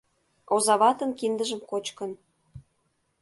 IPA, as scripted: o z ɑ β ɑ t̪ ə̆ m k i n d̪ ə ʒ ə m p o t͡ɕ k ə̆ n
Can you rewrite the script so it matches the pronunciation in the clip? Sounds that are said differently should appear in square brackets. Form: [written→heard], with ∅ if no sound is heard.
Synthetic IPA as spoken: o z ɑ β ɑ t̪ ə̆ [m→n] k i n d̪ ə ʒ ə m [p→k] o t͡ɕ k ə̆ n